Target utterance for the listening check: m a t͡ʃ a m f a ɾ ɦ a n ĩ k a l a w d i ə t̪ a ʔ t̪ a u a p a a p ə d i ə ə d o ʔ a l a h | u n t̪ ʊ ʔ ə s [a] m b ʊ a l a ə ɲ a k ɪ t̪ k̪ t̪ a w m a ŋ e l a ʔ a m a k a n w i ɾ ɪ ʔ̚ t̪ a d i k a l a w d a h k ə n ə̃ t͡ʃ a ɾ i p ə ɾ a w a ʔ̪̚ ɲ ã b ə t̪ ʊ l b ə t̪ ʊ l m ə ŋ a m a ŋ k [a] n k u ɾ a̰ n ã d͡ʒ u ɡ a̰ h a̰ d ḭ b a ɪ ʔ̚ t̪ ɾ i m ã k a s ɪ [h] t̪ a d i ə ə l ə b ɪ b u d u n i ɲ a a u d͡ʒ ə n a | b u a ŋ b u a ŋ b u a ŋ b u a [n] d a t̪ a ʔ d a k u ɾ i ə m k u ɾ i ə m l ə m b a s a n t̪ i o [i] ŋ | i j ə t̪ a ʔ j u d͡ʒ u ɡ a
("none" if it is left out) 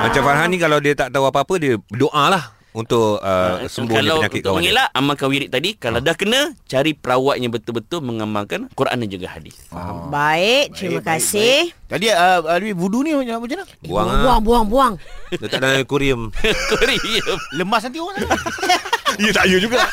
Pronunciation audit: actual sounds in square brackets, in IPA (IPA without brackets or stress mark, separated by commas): ə, a, h, ŋ, a